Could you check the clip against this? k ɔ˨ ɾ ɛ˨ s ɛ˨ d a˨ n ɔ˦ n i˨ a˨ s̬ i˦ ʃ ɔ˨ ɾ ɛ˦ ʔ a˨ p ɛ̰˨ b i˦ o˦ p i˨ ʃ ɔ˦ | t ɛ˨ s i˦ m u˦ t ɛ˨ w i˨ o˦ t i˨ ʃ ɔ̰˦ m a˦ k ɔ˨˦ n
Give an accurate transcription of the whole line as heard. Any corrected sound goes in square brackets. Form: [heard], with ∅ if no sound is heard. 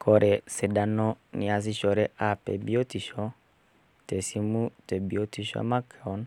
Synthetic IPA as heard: k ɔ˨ ɾ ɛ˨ s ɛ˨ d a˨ n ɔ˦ n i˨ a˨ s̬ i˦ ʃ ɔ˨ ɾ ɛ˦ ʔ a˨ p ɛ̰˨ b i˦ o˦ [t] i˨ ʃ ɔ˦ | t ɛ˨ s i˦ m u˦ t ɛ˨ [b] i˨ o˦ t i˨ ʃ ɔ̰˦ m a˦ k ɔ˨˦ n